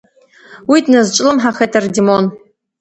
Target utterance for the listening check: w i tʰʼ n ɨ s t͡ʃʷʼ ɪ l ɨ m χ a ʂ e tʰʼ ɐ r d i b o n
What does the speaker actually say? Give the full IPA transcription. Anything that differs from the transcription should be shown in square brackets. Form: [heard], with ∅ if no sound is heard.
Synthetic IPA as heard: w i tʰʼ n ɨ [z] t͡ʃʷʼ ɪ l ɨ m [ħ] a [χ] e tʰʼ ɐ r d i [m] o n